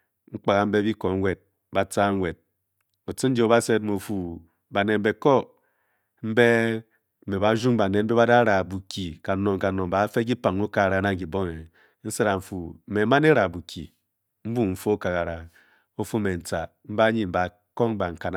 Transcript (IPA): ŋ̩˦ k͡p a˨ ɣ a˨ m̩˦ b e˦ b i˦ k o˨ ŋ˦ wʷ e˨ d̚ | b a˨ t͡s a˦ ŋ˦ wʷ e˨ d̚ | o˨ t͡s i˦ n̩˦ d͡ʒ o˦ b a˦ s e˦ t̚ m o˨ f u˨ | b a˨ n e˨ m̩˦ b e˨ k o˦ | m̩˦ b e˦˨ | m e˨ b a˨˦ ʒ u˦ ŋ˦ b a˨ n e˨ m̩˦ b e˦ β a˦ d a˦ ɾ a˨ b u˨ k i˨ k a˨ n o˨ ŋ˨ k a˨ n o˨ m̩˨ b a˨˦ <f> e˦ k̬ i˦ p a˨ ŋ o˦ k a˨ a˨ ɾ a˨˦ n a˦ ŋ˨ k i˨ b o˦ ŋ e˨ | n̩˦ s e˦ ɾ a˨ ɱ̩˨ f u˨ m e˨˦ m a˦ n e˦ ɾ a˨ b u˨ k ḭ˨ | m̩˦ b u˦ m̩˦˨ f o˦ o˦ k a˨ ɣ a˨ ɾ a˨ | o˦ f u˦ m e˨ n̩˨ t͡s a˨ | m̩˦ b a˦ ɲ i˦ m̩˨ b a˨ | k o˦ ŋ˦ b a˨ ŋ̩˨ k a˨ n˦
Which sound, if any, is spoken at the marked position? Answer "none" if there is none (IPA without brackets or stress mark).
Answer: f